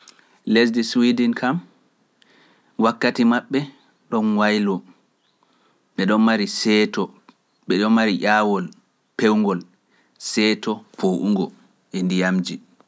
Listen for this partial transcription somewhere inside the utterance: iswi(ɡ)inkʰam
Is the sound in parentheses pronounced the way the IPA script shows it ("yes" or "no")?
no